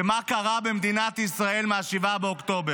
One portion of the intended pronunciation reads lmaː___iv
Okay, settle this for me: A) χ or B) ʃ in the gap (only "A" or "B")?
B